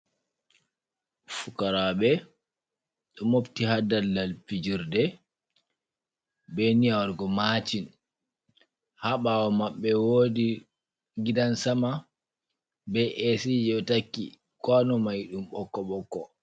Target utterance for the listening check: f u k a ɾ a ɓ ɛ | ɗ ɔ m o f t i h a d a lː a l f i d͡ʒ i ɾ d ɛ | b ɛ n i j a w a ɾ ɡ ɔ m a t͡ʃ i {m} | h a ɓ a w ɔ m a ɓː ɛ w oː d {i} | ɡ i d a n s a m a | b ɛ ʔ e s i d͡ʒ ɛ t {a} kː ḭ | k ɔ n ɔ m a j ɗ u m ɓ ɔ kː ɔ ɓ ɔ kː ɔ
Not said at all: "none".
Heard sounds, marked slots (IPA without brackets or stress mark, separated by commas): n, i, a